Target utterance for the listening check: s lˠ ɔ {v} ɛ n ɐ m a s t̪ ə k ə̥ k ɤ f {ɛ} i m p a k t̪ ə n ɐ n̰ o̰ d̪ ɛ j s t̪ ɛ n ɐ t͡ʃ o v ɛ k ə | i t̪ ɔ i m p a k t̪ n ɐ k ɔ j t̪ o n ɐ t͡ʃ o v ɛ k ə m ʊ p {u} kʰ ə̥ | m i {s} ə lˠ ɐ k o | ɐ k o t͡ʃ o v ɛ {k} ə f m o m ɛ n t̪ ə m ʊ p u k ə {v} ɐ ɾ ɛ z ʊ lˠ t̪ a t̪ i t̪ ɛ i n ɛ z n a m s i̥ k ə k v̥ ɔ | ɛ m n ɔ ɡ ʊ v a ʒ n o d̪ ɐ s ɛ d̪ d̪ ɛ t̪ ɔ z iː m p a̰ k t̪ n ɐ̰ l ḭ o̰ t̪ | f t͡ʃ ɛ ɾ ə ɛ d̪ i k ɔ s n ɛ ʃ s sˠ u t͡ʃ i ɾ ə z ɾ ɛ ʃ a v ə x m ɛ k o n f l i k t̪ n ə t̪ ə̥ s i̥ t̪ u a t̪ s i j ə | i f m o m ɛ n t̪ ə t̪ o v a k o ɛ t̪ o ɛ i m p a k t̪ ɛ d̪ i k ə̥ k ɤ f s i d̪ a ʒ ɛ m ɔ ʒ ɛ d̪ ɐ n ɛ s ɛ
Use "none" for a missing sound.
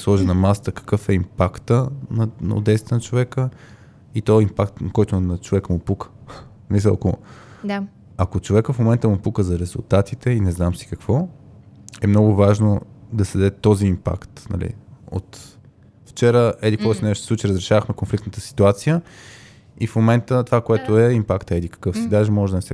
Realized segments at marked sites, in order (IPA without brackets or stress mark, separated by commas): ʒ, ɛ, u, s, k, z